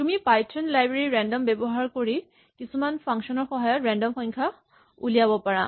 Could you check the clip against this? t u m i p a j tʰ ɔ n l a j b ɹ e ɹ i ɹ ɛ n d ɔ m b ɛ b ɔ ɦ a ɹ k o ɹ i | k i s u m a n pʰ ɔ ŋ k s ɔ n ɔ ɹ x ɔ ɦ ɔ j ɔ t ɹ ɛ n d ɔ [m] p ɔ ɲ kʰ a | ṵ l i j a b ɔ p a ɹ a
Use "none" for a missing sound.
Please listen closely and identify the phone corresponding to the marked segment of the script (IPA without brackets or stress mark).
m